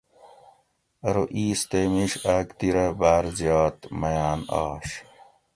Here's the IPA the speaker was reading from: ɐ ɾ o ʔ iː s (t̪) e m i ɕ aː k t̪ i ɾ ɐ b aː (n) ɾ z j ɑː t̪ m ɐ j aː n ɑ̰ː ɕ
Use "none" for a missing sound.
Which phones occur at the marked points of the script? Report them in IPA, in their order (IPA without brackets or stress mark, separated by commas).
t̪, none